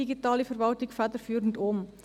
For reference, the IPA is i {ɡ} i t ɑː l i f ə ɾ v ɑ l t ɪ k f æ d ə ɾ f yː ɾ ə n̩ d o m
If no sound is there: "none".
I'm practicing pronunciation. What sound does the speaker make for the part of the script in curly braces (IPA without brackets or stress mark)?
ɡ